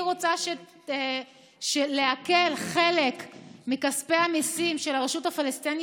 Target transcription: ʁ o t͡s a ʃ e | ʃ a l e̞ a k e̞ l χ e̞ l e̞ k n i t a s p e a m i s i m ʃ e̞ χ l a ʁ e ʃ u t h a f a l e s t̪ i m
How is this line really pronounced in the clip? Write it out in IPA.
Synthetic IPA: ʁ o t͡s a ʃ e | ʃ e l e̞ a k e̞ l χ e̞ l e̞ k m i k a s p e a m i s i m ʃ e̞ l a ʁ e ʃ u t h a f a l e s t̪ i n